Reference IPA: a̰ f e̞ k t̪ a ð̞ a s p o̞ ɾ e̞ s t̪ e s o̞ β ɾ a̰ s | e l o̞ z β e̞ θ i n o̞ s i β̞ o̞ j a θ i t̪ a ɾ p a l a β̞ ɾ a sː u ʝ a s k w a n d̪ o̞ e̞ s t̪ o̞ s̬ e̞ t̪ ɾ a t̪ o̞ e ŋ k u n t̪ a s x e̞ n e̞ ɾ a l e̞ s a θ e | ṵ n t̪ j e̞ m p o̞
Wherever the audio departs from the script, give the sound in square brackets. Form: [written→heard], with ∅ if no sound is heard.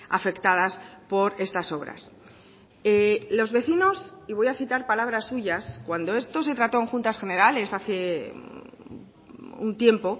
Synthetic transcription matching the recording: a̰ f e̞ k t̪ a ð̞ a s p o̞ ɾ e̞ s t̪ [e→a] s o̞ β ɾ a̰ s | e l o̞ z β e̞ θ i n o̞ s i β̞ o̞ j a θ i t̪ a ɾ p a l a β̞ ɾ a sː u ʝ a s k w a n d̪ o̞ e̞ s t̪ o̞ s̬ e̞ t̪ ɾ a t̪ o̞ e ŋ [k→x] u n t̪ a s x e̞ n e̞ ɾ a l e̞ s a θ e | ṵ n t̪ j e̞ m p o̞